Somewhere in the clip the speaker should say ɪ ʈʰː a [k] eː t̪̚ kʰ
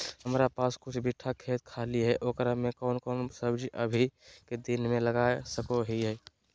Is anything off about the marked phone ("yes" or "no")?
yes